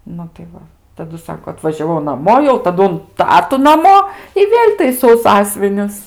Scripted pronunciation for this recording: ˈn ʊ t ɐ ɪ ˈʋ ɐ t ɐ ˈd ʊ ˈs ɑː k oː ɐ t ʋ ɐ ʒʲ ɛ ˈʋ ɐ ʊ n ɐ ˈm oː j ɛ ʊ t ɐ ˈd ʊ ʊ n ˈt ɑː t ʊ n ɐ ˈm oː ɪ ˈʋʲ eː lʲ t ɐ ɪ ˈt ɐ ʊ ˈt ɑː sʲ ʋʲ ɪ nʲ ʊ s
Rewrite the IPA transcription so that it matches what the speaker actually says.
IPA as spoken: ˈn ʊ t ɐ ɪ ˈʋ ɐ t ɐ ˈd ʊ ˈs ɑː k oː ɐ t ʋ ɐ ʒʲ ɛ ˈʋ ɐ ʊ n ɐ ˈm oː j ɛ ʊ t ɐ ˈd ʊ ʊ n ˈt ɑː t ʊ n ɐ ˈm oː ɪ ˈʋʲ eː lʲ t ɐ ɪ ˈs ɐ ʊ ˈs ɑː sʲ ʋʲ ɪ nʲ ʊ s